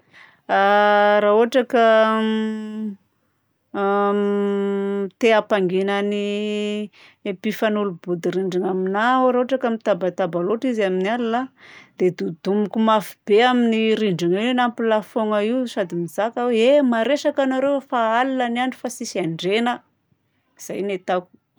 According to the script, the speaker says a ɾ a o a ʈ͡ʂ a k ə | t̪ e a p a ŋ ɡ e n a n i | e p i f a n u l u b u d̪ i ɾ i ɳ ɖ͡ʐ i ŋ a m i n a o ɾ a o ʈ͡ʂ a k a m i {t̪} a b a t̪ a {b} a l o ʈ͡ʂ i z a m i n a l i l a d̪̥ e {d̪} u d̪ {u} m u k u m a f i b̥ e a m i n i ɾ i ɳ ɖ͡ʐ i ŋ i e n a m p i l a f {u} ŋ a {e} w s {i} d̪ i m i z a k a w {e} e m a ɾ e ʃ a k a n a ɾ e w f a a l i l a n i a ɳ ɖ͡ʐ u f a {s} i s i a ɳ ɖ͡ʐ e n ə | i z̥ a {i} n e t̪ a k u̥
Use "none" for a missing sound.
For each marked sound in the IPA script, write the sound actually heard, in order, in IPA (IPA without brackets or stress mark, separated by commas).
t̪, b, d̪, u, o, i, a, e, s, j